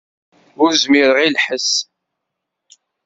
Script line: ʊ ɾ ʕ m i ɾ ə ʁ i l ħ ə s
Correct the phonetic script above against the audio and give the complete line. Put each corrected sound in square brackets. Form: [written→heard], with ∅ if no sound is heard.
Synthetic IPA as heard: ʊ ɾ [ʕ→z] m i ɾ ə ʁ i l ħ ə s